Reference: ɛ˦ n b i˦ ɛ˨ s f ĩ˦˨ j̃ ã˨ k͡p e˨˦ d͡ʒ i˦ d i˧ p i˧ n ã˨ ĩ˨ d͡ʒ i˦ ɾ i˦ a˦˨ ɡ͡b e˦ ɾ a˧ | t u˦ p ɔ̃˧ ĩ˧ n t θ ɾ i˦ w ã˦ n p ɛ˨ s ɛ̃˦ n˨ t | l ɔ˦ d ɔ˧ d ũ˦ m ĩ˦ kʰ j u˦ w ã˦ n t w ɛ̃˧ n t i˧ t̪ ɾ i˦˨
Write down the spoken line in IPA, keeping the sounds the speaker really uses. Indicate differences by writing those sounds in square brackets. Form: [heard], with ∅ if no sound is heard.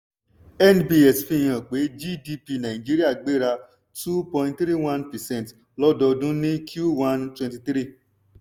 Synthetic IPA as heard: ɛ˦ n b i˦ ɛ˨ s f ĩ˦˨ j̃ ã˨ k͡p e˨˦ d͡ʒ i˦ d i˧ p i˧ n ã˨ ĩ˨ d͡ʒ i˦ ɾ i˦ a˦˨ ɡ͡b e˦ ɾ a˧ | t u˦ p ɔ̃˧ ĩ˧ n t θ ɾ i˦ w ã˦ n p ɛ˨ s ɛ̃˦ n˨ t | l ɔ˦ d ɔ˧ d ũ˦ [n] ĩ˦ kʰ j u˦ w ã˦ n t w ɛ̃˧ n t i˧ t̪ ɾ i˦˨